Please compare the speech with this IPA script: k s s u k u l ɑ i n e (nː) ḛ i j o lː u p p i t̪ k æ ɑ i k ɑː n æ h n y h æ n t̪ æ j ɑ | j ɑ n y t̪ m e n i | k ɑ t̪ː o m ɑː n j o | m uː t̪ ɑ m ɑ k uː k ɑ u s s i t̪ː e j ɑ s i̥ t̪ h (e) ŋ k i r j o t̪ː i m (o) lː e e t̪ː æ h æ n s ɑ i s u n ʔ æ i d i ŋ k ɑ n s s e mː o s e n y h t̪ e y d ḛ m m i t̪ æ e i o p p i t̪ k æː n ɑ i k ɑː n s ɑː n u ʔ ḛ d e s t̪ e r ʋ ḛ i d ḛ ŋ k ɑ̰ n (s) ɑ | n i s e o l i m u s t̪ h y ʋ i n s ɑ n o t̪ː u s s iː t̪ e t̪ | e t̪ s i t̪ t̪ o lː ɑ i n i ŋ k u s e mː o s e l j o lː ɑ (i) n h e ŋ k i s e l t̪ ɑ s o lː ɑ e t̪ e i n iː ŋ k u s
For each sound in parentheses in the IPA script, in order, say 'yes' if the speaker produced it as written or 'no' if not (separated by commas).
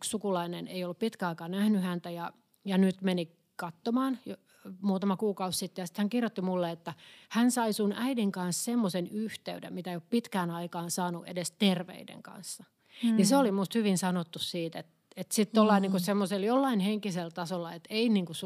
no, no, no, no, yes